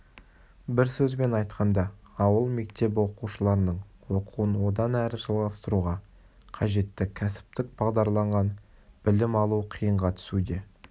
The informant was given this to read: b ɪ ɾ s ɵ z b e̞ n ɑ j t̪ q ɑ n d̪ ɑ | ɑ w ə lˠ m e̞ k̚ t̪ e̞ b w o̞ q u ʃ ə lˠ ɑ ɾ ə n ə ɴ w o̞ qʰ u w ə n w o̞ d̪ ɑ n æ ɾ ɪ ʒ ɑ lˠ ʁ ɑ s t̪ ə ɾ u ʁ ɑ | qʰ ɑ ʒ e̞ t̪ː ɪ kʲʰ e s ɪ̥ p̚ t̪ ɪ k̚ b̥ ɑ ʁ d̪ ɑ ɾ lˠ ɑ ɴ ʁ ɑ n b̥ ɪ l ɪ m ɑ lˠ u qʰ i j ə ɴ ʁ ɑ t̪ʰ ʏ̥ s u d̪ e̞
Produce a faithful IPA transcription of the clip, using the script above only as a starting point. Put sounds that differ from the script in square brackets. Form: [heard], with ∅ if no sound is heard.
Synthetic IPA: b ɪ ɾ s ɵ z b e̞ n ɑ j t̪ q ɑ n d̪ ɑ | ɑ w ə lˠ m e̞ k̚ t̪ e̞ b w o̞ q u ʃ ə lˠ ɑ ɾ ə n ə ɴ w o̞ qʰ u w ə n w o̞ d̪ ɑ n æ ɾ ɪ ʒ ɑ lˠ ʁ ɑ s t̪ ə ɾ u ʁ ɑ | qʰ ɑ ʒ e̞ t̪ː ɪ kʲʰ [æ] s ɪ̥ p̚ t̪ ɪ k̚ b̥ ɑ ʁ d̪ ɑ ɾ lˠ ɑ ɴ ʁ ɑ n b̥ ɪ l ɪ m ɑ lˠ u qʰ i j ə ɴ ʁ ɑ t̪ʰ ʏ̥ s u d̪ e̞